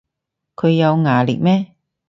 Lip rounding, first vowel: rounded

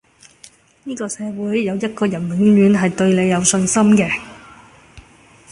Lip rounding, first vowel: unrounded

